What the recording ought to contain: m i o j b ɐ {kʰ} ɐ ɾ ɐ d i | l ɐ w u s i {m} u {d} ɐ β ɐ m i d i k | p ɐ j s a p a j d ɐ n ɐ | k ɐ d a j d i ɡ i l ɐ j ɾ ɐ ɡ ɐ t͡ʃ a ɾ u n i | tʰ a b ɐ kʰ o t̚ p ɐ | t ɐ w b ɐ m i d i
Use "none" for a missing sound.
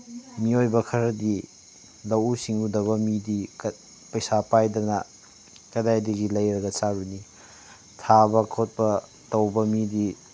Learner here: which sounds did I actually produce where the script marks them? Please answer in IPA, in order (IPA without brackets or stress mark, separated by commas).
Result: kʰ, ŋ, d